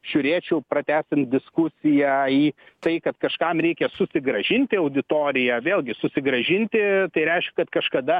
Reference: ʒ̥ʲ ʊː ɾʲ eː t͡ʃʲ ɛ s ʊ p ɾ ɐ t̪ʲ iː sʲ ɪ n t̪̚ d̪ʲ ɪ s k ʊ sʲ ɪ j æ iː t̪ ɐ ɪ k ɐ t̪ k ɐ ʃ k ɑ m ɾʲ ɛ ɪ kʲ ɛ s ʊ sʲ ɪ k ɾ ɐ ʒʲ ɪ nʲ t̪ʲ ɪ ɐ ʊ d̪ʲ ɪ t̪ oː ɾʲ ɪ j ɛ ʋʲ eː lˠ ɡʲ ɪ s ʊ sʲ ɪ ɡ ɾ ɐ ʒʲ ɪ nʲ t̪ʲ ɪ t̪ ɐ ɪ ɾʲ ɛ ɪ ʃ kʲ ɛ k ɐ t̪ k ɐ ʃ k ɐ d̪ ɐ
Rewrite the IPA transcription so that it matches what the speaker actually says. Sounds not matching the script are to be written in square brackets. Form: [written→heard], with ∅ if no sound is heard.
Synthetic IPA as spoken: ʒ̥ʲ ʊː ɾʲ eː t͡ʃʲ ɛ [s→∅] ʊ p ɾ ɐ t̪ʲ [iː→æː] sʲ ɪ n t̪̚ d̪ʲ ɪ s k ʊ sʲ ɪ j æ iː t̪ ɐ ɪ k ɐ t̪ k ɐ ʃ k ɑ m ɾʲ ɛ ɪ kʲ ɛ s ʊ sʲ ɪ [k→ɡ] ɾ ɐ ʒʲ ɪ nʲ t̪ʲ ɪ ɐ ʊ d̪ʲ ɪ t̪ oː ɾʲ ɪ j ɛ ʋʲ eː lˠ ɡʲ ɪ s ʊ sʲ ɪ ɡ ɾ ɐ ʒʲ ɪ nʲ t̪ʲ ɪ t̪ ɐ ɪ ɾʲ ɛ ɪ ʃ kʲ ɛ k ɐ t̪ k ɐ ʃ k ɐ d̪ ɐ